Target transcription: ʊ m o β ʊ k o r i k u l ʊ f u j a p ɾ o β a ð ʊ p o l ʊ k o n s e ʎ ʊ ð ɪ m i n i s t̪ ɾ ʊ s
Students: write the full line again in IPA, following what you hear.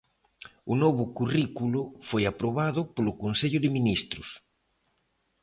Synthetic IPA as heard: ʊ n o β ʊ k u r i k u l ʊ f o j a p ɾ o β a ð ʊ p o l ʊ k o n s e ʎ ʊ ð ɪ m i n i s t̪ ɾ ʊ s

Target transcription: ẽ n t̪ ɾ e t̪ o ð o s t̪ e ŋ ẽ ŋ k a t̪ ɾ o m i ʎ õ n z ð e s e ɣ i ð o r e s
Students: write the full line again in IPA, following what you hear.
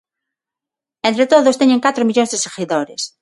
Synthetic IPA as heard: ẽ n t̪ ɾ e t̪ o ð o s t̪ e ɲ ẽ ŋ k a t̪ ɾ o m i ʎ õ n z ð e s e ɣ i ð o ɾ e s

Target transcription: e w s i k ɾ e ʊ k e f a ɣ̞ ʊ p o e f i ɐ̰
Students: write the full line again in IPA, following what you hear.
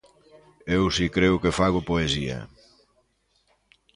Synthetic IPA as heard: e w s i k ɾ e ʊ k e f a ɣ̞ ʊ p o e s i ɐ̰

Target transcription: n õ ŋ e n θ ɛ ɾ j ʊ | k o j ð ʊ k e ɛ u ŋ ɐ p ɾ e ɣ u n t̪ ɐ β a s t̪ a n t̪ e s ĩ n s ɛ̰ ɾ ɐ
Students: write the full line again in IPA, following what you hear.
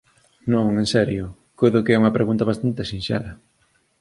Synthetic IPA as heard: n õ ŋ e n s ɛ ɾ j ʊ | k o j ð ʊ k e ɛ u ŋ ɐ p ɾ e ɣ u n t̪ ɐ β a s t̪ a n t̪ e s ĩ n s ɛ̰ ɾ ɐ

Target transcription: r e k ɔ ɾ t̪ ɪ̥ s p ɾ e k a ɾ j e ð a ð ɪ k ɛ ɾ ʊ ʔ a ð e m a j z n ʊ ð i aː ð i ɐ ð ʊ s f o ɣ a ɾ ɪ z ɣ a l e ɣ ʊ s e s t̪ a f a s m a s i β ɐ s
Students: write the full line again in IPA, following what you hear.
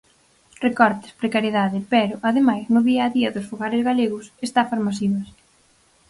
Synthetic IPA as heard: r e k ɔ ɾ t̪ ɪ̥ s p ɾ e k a ɾ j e ð a ð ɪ p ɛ ɾ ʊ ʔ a ð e m a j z n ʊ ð i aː ð i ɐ ð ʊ s f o ɣ a ɾ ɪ z ɣ a l e ɣ ʊ s e s t̪ a f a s m a s i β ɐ s

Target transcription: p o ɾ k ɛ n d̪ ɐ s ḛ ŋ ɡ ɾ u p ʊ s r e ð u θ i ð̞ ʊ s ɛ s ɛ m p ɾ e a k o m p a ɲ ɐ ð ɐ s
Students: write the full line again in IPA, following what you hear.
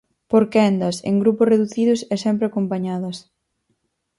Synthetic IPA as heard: p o ɾ k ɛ n d̪ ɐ s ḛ ŋ ɡ ɾ u p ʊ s r e ð u θ i ð̞ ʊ s ɛ s ɛ m p ɾ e a k o m p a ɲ a ð ɐ s

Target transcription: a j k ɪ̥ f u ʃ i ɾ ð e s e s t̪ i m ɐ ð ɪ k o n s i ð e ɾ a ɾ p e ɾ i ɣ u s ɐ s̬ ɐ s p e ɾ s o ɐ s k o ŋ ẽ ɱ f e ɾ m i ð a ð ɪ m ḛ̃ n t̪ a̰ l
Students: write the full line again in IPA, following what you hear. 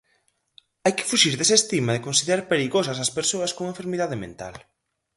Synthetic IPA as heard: a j k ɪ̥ f u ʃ i ɾ ð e s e s t̪ i m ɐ ð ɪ k o n s i ð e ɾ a ɾ p e ɾ i ɣ o s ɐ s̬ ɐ s p e ɾ s o ɐ s k o ŋ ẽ ɱ f e ɾ m i ð a ð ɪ m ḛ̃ n t̪ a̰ l

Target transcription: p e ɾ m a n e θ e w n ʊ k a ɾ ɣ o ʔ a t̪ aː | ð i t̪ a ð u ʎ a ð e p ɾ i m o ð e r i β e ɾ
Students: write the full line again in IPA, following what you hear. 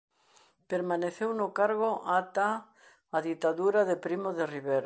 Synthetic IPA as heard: p e ɾ m a n e θ e w n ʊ k a ɾ ɣ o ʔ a t̪ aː | ð i t̪ a ð u ɾ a ð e p ɾ i m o ð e r i β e ɾ

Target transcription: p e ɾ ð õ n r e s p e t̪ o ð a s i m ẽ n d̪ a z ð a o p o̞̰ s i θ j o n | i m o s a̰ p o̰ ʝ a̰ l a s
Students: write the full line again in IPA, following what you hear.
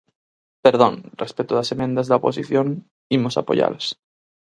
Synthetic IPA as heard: p e ɾ ð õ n r e s p e t̪ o ð a s e m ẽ n d̪ a z ð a o p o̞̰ s i θ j o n | i m o s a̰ p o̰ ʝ a̰ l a s

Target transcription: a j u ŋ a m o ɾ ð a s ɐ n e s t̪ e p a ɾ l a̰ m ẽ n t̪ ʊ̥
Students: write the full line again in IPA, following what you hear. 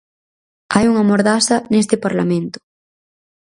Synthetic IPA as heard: a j u ŋ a m o ɾ ð a s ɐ n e s t̪ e p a ɾ l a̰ m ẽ n t̪ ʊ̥

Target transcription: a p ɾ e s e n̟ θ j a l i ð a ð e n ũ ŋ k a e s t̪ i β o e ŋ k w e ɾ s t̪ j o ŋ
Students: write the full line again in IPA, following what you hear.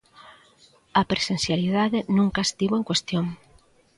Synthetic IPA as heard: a p ɾ e s e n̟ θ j a l i ð a ð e n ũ ŋ k a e s t̪ i β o e ŋ k w e s t̪ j o ŋ

